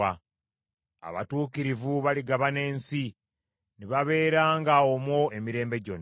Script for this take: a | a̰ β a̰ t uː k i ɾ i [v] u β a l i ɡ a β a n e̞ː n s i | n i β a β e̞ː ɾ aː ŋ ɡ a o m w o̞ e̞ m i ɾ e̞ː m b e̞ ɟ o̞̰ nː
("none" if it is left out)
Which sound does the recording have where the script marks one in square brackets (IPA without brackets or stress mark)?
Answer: v